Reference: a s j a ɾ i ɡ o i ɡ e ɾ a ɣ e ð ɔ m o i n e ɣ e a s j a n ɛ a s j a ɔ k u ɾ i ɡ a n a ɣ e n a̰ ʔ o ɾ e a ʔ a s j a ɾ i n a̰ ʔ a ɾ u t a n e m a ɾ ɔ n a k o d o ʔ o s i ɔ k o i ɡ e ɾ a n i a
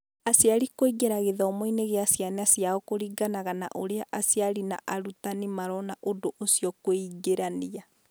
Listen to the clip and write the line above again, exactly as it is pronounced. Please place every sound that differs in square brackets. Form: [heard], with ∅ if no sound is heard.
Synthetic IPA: a s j a ɾ i [k] o i ɡ e ɾ a ɣ e ð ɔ m o i n e ɣ e a s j a n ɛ a s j a ɔ k [o] ɾ i ɡ a n a ɣ [a] n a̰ ʔ o ɾ e a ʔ a s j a ɾ i n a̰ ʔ a ɾ u t a n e m a ɾ ɔ n a [ʔ] o d o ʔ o s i ɔ k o i ɡ e ɾ a n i a